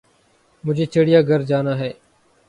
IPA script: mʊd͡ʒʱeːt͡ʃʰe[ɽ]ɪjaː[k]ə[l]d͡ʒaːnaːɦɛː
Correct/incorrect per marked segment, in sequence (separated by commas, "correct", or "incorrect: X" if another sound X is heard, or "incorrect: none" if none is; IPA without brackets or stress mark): correct, incorrect: ɡ, incorrect: ɾ